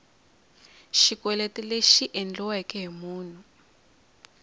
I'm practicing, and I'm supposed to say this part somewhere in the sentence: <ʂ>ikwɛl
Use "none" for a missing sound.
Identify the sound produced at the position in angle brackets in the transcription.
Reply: ʃ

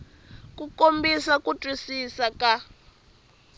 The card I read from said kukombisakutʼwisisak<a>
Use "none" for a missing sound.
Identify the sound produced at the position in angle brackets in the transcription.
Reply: a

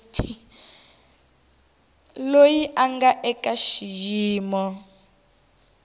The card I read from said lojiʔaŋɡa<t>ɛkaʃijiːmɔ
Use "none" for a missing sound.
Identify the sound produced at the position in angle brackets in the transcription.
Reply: ʔ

